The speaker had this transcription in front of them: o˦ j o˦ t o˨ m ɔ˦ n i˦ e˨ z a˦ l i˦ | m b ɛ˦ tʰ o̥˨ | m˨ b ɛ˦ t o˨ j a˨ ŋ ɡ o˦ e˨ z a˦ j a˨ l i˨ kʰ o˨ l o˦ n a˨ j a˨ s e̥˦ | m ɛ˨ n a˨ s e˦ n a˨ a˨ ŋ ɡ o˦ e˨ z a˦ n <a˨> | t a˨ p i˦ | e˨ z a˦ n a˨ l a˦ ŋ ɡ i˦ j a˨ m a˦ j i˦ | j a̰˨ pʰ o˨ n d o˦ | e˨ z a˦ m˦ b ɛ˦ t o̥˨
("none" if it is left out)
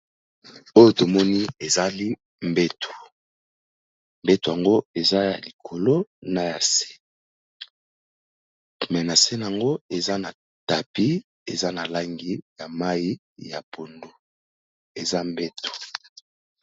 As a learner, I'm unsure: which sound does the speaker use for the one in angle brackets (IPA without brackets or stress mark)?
a˨